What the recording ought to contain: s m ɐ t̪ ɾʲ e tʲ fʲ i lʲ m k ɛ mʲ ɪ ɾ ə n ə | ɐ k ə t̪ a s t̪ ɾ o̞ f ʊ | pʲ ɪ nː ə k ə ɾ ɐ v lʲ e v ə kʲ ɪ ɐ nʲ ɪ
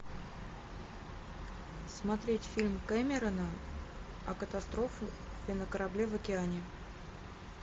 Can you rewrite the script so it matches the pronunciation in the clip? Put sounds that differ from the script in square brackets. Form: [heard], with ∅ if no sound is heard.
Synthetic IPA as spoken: s m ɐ t̪ ɾʲ e tʲ fʲ i lʲ m k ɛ mʲ ɪ ɾ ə n ə | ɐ k ə t̪ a s t̪ ɾ o̞ f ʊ | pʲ ɪ [n] ə k ə ɾ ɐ [b] lʲ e v ə kʲ ɪ [a] nʲ ɪ